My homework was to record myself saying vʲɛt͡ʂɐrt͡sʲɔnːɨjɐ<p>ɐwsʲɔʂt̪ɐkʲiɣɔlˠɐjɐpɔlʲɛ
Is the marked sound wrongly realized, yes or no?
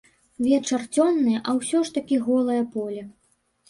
yes